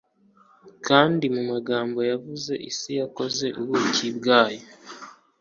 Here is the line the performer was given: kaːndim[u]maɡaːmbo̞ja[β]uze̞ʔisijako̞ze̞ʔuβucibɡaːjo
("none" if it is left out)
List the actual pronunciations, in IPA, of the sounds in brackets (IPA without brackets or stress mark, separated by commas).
u, v